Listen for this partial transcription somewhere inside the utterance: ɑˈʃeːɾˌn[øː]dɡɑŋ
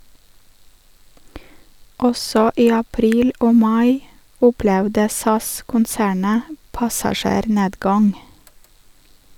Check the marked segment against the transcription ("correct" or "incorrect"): incorrect